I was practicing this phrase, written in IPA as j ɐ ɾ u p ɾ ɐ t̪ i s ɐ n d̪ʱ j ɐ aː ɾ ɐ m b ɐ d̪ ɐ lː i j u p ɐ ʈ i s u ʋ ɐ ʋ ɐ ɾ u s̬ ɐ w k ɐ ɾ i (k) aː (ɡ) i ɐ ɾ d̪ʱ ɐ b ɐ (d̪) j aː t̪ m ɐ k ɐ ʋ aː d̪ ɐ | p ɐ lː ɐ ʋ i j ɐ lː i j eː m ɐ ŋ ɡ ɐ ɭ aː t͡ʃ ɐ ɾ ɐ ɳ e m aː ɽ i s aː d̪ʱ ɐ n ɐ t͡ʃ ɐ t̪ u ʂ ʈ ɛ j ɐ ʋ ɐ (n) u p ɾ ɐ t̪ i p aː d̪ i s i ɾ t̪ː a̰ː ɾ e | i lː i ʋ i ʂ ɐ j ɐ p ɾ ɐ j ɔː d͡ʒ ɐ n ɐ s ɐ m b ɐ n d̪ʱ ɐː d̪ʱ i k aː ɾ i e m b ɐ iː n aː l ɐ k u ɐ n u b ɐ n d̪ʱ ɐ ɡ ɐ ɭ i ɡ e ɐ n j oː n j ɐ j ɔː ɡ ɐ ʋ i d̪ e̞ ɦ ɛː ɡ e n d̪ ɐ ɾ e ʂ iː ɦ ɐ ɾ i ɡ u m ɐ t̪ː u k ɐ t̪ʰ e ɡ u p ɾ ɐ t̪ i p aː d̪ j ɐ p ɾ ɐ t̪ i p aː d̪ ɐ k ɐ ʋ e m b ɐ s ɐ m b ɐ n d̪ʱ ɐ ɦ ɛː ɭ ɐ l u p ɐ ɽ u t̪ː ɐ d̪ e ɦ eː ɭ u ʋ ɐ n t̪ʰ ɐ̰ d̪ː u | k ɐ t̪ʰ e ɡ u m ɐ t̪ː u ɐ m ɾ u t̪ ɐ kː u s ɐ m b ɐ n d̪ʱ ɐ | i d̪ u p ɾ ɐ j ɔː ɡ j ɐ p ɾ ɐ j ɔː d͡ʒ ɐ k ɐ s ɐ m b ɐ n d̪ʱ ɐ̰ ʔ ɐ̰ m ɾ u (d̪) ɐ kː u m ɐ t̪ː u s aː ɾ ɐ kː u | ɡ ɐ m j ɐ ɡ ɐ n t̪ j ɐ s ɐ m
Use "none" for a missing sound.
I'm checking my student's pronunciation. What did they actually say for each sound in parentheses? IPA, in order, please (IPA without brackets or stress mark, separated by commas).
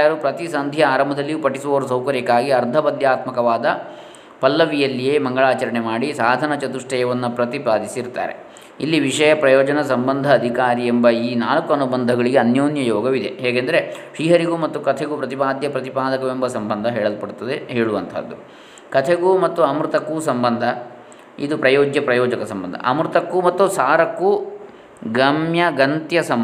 k, ɡ, d̪, nː, t̪